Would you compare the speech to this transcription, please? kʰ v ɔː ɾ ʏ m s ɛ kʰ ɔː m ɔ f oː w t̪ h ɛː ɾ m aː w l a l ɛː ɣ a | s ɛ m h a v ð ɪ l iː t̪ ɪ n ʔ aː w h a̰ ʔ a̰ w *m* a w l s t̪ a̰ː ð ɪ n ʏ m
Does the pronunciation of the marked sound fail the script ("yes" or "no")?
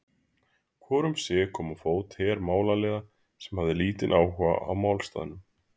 no